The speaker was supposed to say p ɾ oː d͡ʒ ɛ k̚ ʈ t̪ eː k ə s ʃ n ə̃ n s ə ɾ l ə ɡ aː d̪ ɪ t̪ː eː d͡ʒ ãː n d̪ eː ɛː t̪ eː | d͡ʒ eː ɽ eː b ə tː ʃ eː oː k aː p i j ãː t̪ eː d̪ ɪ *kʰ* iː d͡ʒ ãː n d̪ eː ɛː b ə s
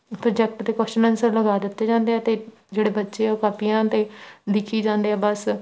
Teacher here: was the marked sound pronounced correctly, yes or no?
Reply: yes